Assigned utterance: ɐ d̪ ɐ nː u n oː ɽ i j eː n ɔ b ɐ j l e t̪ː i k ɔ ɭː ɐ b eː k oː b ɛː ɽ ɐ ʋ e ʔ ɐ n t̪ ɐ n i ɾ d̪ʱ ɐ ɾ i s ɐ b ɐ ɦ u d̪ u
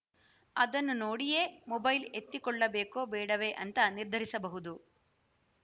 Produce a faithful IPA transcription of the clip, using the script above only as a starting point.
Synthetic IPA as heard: ɐ d̪ ɐ nː u n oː ɽ i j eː m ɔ b ɐ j l e t̪ː i k ɔ ɭː ɐ b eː k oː b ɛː ɽ ɐ ʋ e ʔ ɐ n t̪ ɐ n i ɾ d̪ʱ ɐ ɾ i s ɐ b ɐ ɦ u d̪ u